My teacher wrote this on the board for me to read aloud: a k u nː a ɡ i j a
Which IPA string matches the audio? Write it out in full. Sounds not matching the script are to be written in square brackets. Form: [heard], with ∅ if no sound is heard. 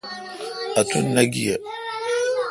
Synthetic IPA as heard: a [t] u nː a ɡ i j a